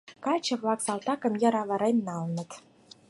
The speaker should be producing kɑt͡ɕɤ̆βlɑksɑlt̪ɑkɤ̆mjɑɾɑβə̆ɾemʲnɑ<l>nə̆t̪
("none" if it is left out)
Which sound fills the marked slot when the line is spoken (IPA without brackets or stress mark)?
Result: l